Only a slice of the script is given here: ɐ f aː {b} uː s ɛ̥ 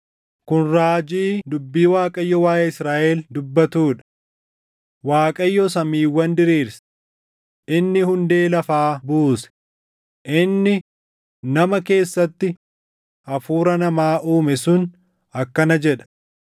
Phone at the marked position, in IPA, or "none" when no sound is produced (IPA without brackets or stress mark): b